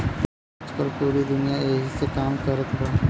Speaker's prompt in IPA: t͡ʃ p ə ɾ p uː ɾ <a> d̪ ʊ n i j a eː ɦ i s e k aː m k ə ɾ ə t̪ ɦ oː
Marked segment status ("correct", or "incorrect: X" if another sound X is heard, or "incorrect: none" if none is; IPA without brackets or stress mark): incorrect: i